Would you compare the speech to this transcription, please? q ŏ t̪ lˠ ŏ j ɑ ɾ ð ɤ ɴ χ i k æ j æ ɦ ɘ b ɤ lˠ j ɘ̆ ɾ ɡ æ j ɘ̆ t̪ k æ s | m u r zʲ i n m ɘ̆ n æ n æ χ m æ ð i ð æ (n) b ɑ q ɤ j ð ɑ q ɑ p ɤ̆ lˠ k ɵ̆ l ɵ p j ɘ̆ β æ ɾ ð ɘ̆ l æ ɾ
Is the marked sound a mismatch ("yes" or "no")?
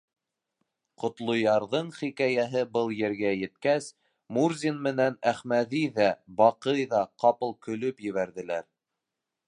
yes